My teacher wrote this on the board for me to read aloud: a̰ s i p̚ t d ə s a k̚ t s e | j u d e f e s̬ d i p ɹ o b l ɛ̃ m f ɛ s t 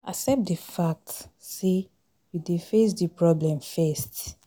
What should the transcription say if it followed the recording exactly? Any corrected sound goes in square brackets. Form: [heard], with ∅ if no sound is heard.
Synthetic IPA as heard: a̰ s [ɛ] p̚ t d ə [f] a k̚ t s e | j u d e f e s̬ d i p ɹ [ɔ] b l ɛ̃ m f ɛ s t